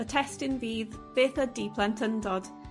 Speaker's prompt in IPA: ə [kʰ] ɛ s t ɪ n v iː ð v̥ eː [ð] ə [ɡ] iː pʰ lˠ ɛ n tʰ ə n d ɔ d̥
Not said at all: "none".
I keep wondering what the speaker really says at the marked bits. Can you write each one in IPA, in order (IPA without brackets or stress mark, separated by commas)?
tʰ, θ, d